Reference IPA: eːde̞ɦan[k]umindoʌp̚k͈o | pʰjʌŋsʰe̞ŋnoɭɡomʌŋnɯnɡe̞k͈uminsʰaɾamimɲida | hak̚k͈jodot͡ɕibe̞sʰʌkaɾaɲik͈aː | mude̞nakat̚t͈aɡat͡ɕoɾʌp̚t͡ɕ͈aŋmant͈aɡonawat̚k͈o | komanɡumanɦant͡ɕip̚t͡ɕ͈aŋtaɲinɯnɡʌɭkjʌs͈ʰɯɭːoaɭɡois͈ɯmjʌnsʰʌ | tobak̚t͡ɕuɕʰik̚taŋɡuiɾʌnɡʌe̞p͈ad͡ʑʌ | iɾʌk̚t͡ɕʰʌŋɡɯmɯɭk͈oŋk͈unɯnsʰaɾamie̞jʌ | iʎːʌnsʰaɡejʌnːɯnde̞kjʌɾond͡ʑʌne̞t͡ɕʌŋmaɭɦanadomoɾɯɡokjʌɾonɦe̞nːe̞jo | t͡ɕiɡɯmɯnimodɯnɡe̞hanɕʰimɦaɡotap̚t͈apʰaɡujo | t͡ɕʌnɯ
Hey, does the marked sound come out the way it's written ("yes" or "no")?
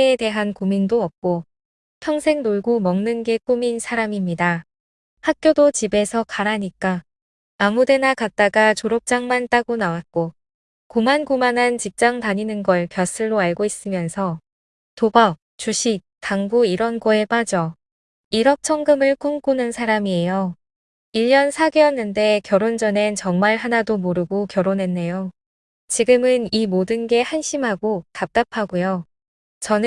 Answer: yes